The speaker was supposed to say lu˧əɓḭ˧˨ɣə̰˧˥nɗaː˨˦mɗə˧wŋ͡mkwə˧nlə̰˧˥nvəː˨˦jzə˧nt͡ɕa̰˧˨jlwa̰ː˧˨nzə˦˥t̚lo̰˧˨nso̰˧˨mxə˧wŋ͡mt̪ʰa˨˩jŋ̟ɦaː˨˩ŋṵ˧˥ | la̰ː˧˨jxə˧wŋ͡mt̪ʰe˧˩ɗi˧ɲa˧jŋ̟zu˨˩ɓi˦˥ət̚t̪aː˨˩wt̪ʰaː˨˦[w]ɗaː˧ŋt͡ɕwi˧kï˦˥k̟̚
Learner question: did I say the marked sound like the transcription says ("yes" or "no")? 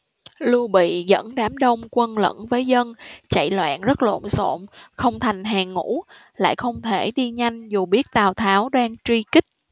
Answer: yes